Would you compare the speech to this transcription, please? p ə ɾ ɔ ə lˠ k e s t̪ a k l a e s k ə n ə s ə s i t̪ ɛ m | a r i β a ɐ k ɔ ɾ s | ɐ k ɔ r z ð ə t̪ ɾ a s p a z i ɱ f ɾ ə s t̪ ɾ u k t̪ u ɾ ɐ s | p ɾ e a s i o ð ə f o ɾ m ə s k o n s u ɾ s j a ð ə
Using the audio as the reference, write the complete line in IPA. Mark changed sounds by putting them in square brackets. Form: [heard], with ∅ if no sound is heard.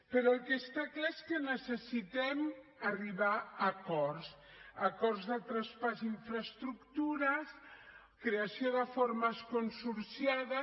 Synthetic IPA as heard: p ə ɾ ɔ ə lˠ k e s t̪ a k l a e s k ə n ə s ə s i t̪ ɛ m | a r i β a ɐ k ɔ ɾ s | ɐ k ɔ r z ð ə t̪ ɾ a s p a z i ɱ f ɾ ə s t̪ ɾ u k t̪ u ɾ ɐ s | [k] ɾ e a s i o ð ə f o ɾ m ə s k o n s u ɾ s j a ð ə